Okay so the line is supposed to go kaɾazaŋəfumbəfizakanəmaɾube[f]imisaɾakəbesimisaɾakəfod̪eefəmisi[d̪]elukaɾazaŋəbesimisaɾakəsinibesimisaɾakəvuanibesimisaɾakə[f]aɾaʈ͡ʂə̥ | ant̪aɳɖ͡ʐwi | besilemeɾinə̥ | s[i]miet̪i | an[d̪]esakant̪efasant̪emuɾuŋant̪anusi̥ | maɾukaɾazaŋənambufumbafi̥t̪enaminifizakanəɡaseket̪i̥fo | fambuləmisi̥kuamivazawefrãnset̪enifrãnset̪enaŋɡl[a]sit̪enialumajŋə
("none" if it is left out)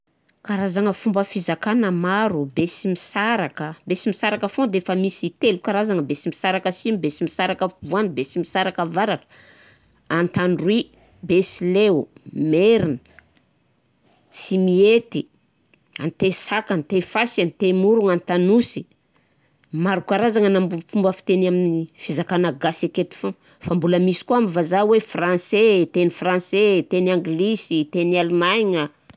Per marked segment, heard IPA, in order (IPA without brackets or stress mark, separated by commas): s, t̪, v, i, t̪, i